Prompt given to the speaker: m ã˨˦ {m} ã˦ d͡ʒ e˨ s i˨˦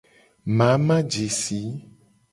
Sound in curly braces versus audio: correct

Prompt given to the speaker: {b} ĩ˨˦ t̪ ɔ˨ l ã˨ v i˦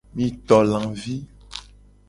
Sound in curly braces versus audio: incorrect: m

